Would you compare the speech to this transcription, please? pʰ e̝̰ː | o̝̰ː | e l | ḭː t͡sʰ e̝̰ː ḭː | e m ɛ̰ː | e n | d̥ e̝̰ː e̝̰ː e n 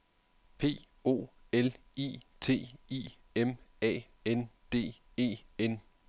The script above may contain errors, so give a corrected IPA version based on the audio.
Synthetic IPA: pʰ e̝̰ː | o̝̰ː | e l | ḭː t͡sʰ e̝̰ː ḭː | e m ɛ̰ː | e n | d̥ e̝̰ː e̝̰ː e n

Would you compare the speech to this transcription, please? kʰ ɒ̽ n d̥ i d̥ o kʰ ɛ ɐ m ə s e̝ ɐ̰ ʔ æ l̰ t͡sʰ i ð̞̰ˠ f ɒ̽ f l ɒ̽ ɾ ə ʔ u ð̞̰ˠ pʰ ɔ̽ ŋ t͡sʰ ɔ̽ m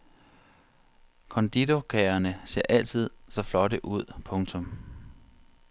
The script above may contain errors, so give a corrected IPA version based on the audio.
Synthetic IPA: kʰ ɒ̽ n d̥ i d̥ o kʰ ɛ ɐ n ə s e̝ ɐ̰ ʔ æ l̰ t͡sʰ i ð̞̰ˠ s ɒ̽ f l ɒ̽ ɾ ə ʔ u ð̞̰ˠ pʰ ɔ̽ ŋ t͡sʰ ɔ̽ m

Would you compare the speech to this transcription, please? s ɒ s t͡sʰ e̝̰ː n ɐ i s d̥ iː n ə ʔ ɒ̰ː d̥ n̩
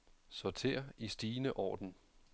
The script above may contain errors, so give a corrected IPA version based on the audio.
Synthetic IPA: s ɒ t͡sʰ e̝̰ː ɐ i s d̥ iː n ə ʔ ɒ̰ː d̥ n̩

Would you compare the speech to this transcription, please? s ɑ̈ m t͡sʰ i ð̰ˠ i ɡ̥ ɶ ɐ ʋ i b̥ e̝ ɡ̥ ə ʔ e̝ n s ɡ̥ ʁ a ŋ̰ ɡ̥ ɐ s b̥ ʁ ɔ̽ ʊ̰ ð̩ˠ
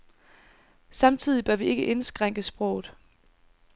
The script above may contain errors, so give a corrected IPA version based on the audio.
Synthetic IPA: s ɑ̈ m t͡sʰ i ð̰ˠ i b̥ ɶ ɐ ʋ i e̝ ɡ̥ ə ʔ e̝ n s ɡ̥ ʁ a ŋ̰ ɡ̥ ə s b̥ ʁ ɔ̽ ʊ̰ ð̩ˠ

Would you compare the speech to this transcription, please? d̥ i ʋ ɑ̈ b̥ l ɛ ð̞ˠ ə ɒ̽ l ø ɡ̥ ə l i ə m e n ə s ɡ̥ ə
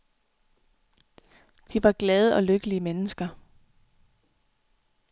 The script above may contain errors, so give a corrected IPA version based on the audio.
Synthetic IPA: d̥ i ʋ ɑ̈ ɡ̥ l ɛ ð̞ˠ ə ɒ̽ l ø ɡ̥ ə l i ə m e n ə s ɡ̥ ɐ

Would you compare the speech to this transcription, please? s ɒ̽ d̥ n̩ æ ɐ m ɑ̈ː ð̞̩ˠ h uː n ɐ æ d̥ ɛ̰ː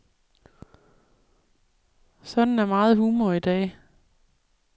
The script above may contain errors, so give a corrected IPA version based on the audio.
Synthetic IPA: s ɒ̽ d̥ n̩ æ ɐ m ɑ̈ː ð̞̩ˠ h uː m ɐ i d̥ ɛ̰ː

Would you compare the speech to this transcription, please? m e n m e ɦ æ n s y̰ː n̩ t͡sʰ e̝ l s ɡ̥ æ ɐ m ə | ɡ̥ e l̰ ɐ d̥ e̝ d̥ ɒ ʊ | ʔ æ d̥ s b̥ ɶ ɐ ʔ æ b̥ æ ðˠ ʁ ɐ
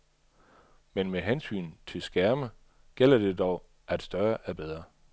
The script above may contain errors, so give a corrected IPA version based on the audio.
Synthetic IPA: m e n m e ɦ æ n s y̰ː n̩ t͡sʰ e̝ l s ɡ̥ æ ɐ m ə | ɡ̥ e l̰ ɐ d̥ e̝ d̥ ɒ ʊ | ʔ æ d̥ s d̥ ɶ ɐ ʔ æ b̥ e ðˠ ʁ ɐ

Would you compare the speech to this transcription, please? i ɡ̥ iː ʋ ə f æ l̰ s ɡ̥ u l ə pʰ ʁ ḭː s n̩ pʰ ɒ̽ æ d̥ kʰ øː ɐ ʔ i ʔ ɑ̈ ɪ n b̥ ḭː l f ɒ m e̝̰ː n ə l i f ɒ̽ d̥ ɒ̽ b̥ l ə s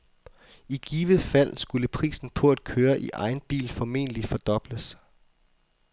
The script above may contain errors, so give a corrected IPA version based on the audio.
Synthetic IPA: i ɡ̥ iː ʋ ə f æ l̰ s ɡ̥ u l ə pʰ ʁ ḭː s n̩ pʰ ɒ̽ æ d̥ kʰ øː ɐ ʔ i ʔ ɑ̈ ɪ n b̥ ḭː l f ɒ m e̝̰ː n ə l i f ɒ̽ d̥ ɒ̽ b̥ l ə s

